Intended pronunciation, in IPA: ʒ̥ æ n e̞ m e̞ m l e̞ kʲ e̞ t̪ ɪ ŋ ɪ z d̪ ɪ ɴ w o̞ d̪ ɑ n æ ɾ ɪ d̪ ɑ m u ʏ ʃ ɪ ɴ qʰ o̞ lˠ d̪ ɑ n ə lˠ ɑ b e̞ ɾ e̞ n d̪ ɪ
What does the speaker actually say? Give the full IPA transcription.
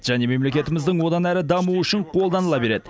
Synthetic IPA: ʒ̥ æ n e̞ m e̞ m l e̞ kʲ e̞ t̪ ɪ m ɪ z d̪ ɪ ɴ w o̞ d̪ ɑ n æ ɾ ɪ d̪ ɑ m u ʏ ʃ ɪ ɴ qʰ o̞ lˠ d̪ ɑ n ə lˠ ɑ b e̞ ɾ e̞ d̪ ɪ